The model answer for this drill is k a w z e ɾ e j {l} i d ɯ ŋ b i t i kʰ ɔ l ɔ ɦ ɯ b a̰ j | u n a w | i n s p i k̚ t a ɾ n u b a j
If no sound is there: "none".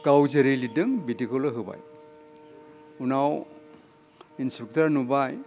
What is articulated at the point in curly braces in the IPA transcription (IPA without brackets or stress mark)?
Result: l